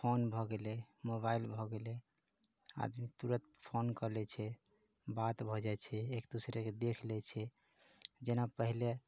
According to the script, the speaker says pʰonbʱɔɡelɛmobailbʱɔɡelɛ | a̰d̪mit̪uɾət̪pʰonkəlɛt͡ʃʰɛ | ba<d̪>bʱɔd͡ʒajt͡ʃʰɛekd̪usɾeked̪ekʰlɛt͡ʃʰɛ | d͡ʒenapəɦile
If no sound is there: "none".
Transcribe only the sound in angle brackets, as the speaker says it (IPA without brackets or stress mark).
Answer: t̪